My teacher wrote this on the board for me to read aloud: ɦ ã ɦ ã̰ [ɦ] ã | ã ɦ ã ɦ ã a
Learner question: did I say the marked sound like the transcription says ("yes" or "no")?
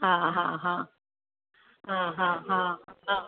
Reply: yes